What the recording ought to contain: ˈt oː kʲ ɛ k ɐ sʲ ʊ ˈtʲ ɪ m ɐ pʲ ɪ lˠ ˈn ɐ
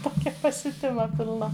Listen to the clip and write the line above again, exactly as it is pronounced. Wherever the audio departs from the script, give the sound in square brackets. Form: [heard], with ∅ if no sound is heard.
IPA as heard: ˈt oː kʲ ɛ [p] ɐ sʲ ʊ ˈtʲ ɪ m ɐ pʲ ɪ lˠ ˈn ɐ